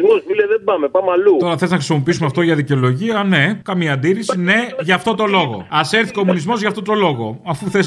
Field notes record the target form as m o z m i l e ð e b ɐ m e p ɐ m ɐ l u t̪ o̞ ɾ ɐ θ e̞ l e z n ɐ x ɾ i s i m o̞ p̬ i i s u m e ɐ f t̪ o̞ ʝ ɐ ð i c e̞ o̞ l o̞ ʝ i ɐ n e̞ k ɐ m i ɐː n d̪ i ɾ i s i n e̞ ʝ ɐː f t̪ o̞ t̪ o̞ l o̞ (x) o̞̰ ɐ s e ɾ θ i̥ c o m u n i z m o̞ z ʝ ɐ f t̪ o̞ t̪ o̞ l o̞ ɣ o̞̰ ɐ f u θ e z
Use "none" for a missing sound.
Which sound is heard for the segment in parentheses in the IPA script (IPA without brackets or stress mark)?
ɣ